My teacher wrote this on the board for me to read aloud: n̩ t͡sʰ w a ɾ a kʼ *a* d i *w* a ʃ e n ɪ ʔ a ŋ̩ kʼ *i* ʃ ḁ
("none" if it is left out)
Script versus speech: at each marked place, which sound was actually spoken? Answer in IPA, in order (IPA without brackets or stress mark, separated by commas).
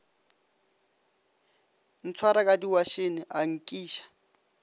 a, w, iː